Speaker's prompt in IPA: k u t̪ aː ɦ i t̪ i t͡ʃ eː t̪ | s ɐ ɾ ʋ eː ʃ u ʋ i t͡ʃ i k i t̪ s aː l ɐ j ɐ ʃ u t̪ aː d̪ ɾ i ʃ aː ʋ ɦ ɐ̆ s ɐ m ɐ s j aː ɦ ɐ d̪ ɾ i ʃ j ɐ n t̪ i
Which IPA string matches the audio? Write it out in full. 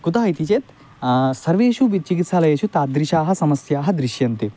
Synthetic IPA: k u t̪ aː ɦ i t̪ i t͡ʃ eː t̪ | s ɐ ɾ ʋ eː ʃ u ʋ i t͡ʃ i k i t̪ s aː l ɐ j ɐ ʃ u t̪ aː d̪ ɾ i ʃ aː ɦ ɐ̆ s ɐ m ɐ s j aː ɦ ɐ d̪ ɾ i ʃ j ɐ n t̪ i